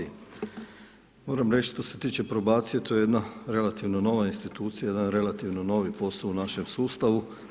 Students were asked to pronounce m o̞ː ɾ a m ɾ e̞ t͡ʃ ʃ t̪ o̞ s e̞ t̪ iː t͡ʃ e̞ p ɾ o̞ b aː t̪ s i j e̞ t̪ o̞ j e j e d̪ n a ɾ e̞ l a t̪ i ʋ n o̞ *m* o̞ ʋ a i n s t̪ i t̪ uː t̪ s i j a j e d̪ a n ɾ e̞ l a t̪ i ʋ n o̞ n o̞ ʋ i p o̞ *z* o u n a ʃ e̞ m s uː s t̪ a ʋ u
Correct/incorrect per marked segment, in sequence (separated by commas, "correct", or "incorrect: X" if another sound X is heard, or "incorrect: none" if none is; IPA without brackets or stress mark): incorrect: n, incorrect: s